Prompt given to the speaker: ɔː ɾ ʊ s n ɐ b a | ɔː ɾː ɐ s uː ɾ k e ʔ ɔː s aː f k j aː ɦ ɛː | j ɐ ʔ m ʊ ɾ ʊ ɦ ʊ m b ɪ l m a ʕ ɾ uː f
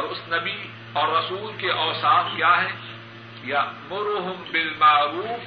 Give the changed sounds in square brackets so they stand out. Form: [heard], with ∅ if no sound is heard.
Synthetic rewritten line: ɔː ɾ ʊ s n ɐ b [i] | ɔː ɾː ɐ s uː [l] k e ʔ ɔː s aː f k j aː ɦ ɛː | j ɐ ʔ m ʊ ɾ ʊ ɦ ʊ m b ɪ l m a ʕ ɾ uː f